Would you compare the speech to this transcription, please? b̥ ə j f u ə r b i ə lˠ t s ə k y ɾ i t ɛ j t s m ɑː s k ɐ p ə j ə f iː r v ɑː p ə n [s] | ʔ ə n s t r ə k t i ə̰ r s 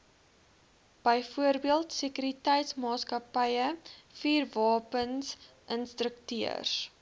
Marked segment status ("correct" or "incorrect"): correct